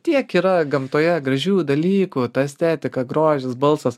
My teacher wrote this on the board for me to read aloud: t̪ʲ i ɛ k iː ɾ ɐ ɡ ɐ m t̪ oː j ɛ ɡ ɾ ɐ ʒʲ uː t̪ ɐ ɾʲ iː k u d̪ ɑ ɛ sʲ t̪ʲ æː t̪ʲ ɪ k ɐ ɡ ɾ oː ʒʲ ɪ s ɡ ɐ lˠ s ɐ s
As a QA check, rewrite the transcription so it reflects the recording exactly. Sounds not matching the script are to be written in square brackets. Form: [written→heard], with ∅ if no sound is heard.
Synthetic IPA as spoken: t̪ʲ i ɛ k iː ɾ ɐ ɡ ɐ m t̪ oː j ɛ ɡ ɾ ɐ ʒʲ uː [t̪→d̪] ɐ [ɾʲ→lʲ] iː k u [d̪→t̪] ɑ ɛ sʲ t̪ʲ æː t̪ʲ ɪ k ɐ ɡ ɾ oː ʒʲ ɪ s [ɡ→b] ɐ lˠ s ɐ s